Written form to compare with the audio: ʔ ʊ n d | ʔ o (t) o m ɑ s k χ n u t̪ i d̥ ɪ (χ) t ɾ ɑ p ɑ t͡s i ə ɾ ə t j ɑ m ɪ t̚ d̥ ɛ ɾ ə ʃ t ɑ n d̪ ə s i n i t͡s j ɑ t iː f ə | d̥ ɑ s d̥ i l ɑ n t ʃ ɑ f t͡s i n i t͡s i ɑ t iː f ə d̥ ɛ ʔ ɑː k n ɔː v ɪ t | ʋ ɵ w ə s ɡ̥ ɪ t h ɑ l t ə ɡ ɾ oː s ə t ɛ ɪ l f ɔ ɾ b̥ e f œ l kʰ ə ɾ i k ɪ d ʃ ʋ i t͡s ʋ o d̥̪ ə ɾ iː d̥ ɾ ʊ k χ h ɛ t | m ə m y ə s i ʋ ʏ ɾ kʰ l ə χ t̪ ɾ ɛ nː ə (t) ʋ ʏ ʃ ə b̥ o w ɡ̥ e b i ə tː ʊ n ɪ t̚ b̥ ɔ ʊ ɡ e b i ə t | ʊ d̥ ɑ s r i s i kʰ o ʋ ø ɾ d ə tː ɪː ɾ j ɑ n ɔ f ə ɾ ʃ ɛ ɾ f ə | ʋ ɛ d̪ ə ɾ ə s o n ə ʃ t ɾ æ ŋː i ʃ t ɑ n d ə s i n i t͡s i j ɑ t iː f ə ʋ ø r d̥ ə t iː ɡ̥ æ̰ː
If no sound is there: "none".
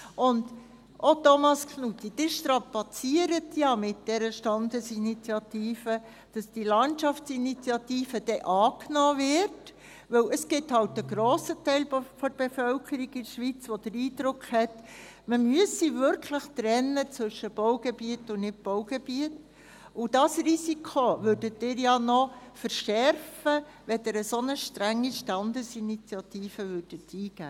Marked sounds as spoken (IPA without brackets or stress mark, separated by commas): t, ʃ, t͡s